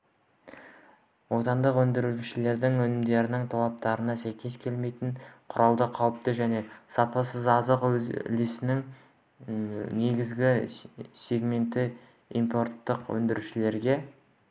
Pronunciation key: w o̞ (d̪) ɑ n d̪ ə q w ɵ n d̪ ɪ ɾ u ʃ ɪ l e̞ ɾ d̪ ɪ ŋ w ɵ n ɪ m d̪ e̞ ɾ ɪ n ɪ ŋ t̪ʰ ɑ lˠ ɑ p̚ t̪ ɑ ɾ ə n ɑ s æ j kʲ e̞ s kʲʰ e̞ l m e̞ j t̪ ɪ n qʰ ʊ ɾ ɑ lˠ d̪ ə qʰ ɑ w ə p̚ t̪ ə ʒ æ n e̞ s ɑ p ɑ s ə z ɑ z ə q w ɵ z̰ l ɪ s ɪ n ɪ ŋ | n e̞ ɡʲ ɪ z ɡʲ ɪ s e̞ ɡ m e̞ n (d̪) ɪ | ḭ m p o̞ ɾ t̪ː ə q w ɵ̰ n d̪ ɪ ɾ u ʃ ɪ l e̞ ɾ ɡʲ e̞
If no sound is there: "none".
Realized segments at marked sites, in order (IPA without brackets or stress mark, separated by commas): t̪, t̪